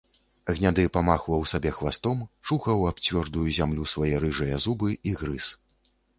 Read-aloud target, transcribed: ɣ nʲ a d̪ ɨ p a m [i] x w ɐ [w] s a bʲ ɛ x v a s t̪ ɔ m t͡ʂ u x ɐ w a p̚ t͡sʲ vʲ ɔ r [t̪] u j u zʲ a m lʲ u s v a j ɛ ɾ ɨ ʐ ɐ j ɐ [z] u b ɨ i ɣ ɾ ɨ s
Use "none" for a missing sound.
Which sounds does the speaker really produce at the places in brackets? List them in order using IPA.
a, w, d̪, z

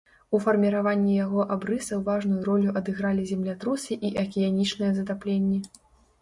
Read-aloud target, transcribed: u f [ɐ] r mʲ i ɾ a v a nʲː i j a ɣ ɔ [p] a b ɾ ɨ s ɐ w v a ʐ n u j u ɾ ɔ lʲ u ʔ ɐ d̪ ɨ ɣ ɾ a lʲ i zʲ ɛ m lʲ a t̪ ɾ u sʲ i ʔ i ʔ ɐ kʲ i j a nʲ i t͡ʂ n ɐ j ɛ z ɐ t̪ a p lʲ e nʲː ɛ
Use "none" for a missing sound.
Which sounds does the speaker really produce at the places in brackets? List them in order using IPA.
ɐ, ʔ

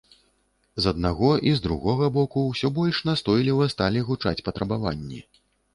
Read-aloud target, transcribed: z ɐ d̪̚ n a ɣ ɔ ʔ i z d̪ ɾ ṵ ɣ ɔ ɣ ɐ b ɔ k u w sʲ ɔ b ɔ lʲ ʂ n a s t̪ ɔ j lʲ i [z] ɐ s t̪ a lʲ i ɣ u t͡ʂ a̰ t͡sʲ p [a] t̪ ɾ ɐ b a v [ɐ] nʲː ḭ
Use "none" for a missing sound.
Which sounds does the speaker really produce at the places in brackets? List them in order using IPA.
v, ɐ, a

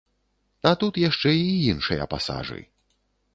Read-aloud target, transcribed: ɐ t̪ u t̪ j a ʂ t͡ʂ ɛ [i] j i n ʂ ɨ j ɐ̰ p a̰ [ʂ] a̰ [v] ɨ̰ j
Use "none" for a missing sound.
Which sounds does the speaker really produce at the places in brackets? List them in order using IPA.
i, s, ʐ

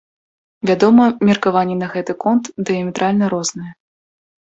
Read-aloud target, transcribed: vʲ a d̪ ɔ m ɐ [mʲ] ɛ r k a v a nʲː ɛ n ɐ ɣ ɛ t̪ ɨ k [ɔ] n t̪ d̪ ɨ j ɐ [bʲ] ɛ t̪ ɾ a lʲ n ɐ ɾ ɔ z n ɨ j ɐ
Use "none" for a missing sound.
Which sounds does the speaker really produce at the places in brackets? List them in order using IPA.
mʲ, ɔ, mʲ

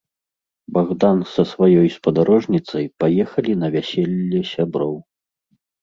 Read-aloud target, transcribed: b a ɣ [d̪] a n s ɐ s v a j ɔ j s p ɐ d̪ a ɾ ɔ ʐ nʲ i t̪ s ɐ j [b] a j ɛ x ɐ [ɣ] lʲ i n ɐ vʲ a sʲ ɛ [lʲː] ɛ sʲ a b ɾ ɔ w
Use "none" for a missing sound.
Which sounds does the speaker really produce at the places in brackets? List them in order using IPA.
d̪, p, none, lʲː

